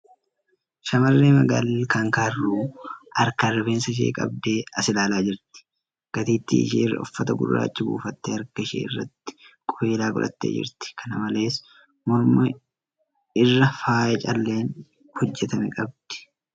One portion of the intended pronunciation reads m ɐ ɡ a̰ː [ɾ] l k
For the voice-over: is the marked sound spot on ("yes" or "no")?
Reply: no